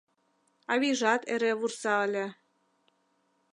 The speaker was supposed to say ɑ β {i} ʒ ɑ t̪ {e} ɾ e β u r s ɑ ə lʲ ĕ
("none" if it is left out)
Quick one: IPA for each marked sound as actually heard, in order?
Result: i, e

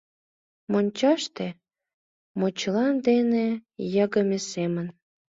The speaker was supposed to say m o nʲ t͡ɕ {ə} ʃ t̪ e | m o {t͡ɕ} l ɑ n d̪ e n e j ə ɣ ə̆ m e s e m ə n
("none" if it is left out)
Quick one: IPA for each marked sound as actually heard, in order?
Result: ɑ, t͡ɕ

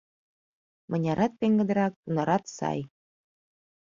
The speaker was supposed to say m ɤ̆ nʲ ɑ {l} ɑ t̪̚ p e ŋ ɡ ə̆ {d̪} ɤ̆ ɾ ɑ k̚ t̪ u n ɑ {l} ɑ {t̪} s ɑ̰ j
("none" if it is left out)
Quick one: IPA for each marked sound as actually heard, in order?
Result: ɾ, d̪, ɾ, t̪

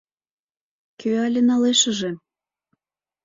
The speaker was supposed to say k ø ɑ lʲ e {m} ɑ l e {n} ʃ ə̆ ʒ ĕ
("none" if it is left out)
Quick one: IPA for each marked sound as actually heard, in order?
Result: n, none

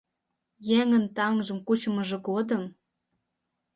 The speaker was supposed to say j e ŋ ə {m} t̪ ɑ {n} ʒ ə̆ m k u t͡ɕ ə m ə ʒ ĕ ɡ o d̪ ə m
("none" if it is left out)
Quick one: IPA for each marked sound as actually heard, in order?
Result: n, ŋ

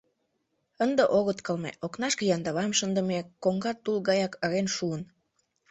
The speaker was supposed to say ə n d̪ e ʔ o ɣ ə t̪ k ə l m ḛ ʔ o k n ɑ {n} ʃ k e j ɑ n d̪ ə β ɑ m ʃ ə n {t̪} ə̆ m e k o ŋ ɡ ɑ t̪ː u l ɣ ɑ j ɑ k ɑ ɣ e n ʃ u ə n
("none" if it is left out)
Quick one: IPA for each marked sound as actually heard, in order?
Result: none, d̪

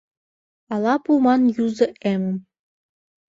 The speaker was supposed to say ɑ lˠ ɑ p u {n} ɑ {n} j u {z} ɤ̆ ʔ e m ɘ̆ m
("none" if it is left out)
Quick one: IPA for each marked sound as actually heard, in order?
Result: m, n, z

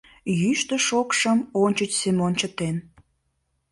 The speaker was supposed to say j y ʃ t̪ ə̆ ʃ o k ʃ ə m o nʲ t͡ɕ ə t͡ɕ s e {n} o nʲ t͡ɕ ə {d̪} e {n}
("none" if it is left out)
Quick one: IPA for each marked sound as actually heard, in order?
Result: m, t̪, n

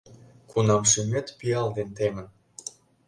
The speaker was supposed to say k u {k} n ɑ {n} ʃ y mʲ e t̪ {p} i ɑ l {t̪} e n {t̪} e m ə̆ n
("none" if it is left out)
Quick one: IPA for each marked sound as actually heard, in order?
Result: none, m, p, d̪, t̪

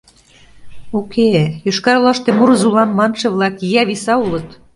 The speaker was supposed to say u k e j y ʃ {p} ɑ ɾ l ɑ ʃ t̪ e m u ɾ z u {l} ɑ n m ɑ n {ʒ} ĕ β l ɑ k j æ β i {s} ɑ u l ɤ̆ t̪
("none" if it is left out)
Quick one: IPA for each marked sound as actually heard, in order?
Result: k, l, ʃ, s

